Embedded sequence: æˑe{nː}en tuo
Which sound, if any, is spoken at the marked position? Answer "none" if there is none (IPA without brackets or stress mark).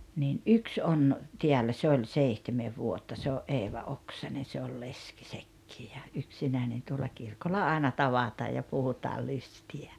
n